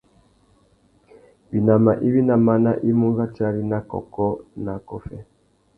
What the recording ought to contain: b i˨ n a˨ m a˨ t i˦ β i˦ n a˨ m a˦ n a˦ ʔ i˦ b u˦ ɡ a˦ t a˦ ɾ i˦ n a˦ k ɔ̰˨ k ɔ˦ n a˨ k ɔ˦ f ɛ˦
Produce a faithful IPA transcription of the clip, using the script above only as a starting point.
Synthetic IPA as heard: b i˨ n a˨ m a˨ ʔ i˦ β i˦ n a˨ m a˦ n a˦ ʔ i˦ m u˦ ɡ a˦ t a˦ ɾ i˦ n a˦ k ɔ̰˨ k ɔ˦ n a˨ k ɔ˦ f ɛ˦